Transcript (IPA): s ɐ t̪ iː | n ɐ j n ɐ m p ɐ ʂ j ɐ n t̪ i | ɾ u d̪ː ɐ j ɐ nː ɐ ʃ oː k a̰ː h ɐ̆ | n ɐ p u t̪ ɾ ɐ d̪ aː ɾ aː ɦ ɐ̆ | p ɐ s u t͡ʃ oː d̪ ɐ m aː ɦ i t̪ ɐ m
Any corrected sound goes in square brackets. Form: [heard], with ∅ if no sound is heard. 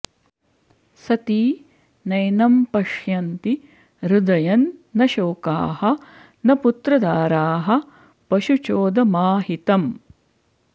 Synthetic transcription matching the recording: s ɐ t̪ iː | n ɐ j n ɐ m p ɐ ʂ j ɐ n t̪ i | ɾ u [d̪] ɐ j ɐ nː ɐ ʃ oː k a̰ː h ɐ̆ | n ɐ p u t̪ ɾ ɐ d̪ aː ɾ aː ɦ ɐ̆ | p ɐ [ʃ] u t͡ʃ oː d̪ ɐ m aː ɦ i t̪ ɐ m